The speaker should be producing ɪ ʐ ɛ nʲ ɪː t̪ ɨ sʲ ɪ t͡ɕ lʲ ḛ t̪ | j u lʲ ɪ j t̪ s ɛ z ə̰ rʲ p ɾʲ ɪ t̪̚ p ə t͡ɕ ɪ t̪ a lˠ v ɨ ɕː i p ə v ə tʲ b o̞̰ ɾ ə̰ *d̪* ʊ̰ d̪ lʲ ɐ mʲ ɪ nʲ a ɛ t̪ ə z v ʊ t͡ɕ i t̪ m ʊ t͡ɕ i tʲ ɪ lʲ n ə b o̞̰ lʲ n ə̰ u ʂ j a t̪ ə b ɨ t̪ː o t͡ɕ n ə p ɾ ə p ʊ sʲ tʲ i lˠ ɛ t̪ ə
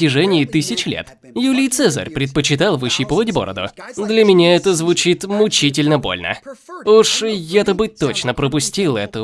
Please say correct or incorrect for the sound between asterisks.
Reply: correct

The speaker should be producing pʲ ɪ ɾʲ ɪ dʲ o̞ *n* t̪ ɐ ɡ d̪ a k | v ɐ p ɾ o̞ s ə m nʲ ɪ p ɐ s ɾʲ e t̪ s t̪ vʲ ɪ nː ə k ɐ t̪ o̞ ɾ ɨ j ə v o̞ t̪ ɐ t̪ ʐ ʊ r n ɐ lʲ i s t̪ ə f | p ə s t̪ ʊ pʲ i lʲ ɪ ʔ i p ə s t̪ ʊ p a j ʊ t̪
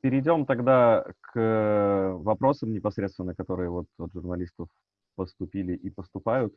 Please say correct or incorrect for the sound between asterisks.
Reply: incorrect: m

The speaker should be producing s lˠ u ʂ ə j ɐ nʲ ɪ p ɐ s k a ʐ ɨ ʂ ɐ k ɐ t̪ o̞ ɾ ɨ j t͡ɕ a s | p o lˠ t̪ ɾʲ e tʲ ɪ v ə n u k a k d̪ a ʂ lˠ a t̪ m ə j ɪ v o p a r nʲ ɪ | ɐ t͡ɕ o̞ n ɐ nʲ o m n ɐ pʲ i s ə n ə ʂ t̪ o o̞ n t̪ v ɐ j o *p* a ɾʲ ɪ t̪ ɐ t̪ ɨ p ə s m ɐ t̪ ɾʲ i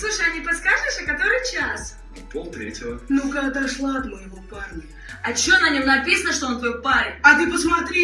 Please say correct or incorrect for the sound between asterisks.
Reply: correct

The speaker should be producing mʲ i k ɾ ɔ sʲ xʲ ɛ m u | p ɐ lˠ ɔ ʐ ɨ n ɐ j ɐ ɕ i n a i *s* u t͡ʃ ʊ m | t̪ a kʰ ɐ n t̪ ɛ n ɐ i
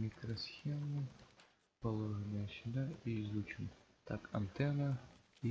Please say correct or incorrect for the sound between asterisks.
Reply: incorrect: z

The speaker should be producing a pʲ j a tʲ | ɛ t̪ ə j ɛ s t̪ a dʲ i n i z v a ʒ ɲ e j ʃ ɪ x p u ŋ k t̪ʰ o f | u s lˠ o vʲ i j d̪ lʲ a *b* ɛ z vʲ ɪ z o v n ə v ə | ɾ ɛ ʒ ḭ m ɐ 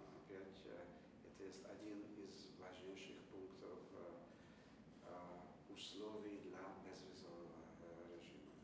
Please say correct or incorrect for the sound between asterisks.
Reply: correct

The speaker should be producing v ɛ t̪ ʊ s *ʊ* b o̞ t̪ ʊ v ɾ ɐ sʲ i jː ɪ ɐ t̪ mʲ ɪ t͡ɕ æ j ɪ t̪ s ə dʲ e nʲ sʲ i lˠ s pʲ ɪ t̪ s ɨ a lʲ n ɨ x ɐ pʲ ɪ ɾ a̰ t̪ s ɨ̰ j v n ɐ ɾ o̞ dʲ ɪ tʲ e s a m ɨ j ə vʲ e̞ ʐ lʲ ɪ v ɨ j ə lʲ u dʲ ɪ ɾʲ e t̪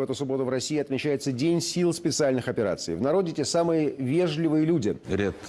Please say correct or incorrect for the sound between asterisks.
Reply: correct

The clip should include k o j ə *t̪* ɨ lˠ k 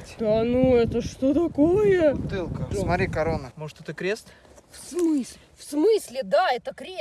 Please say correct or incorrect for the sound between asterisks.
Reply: correct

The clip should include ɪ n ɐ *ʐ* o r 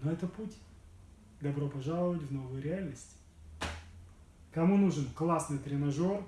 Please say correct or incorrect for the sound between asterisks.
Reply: correct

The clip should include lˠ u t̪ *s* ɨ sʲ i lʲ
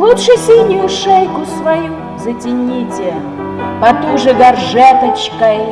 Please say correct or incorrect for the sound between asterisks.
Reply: incorrect: ʂ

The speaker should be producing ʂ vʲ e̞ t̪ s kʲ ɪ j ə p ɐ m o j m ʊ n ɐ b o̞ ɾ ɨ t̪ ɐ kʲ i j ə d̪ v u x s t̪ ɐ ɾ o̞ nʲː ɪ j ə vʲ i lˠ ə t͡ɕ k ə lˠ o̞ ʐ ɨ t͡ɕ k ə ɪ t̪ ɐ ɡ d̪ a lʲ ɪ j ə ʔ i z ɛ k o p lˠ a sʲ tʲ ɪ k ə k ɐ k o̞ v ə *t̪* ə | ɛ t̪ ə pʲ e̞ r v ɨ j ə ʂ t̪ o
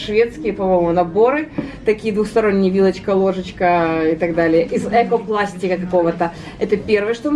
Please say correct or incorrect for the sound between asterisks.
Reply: correct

